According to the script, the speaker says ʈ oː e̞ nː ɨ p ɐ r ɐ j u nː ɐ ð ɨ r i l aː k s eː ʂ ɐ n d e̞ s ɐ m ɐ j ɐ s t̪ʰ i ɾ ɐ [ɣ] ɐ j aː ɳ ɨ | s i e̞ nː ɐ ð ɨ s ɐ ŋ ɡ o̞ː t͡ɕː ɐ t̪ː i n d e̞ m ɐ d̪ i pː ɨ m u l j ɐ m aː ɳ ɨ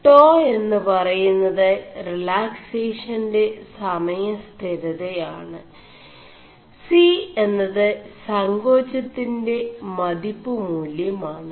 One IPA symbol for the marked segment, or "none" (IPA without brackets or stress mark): ð